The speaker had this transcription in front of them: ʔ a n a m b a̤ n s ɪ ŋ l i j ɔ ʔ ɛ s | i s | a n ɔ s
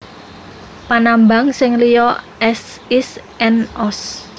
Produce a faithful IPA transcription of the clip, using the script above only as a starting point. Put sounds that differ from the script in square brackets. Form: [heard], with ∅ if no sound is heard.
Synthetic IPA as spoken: [p] a n a m b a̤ [ŋ] s ɪ ŋ l i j ɔ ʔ ɛ s | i s | [ɛ] n ɔ s